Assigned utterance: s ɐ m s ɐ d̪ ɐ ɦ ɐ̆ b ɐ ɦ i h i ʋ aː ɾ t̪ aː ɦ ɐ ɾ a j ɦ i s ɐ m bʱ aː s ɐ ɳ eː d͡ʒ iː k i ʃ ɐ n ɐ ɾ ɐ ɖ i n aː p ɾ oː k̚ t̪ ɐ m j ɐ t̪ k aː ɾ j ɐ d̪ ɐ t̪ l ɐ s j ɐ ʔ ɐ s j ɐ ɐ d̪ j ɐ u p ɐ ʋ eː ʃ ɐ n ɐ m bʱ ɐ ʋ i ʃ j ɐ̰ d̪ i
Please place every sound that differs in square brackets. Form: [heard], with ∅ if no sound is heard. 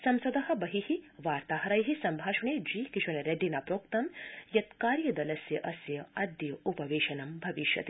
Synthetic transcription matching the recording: s ɐ m s ɐ d̪ ɐ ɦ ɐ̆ b ɐ ɦ i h i ʋ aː ɾ t̪ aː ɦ ɐ ɾ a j ɦ i s ɐ m bʱ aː [ʃ] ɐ ɳ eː d͡ʒ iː k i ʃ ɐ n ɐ ɾ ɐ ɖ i n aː p ɾ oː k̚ t̪ ɐ m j ɐ t̪ k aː ɾ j ɐ d̪ ɐ [∅] l ɐ s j ɐ ʔ ɐ s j ɐ ɐ d̪ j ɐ u p ɐ ʋ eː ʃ ɐ n ɐ m bʱ ɐ ʋ i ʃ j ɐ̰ [t̪] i